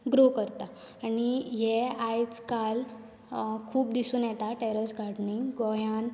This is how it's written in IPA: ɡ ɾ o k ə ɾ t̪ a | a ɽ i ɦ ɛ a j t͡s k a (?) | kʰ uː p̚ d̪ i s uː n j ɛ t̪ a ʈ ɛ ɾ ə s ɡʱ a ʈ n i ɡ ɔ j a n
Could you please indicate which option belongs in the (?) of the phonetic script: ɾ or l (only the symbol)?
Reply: l